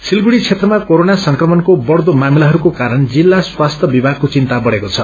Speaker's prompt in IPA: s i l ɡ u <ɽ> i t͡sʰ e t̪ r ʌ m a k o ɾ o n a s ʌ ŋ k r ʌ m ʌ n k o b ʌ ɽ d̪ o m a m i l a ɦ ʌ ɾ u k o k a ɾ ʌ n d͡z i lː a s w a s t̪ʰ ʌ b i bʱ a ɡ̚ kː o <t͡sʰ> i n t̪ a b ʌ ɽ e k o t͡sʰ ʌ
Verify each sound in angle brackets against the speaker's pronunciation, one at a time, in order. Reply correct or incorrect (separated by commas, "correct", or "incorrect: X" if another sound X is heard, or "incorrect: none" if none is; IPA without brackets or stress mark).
correct, incorrect: t͡s